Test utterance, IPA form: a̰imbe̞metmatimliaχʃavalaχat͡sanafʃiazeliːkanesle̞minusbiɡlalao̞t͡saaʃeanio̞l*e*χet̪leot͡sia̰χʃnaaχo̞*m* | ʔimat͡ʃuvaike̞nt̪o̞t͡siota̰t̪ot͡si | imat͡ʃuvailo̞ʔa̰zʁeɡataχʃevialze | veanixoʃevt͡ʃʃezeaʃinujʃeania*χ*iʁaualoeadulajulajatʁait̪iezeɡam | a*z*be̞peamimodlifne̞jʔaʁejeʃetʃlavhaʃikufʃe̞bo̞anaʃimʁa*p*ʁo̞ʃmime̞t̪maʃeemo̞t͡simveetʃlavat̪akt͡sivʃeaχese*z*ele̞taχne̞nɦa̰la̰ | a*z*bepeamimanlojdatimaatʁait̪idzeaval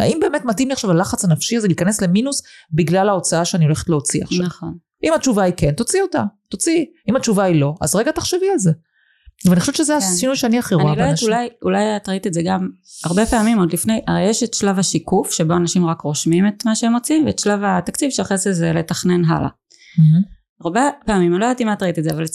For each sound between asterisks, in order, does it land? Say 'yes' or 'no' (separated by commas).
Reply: yes, no, yes, no, no, yes, no